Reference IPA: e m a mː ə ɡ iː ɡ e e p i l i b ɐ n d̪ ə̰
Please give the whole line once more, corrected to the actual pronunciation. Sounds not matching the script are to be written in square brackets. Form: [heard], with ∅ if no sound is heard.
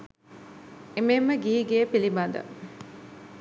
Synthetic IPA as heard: e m [e] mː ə ɡ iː ɡ e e p i l i b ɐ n d̪ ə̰